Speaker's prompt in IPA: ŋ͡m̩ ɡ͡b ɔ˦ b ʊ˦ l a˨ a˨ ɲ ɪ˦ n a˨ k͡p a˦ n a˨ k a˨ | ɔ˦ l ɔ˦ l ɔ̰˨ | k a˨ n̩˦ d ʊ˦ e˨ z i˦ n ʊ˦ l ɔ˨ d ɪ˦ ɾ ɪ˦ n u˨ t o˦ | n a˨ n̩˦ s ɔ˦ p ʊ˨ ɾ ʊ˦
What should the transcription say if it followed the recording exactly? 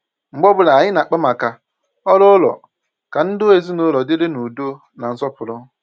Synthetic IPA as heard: ŋ͡m̩ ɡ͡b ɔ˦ b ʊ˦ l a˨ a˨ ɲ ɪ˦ n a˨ k͡p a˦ m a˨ k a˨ | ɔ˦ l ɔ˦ l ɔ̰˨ | k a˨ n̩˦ d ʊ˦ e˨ z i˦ n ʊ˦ l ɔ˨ d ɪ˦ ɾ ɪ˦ n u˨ d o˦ | n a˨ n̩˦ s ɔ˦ p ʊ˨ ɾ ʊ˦